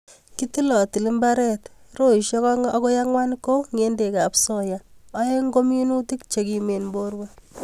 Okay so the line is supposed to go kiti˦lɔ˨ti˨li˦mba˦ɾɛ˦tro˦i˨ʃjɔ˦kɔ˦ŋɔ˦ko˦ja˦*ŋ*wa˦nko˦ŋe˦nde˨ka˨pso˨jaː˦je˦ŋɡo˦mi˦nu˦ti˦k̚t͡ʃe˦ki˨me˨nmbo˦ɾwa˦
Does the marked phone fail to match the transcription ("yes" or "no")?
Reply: no